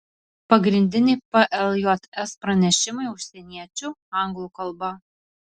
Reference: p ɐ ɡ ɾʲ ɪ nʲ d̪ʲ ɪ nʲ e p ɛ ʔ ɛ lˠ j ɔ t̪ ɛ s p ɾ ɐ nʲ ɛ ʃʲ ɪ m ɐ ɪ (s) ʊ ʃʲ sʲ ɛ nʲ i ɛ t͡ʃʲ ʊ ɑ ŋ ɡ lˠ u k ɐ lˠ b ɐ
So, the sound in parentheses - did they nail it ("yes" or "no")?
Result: no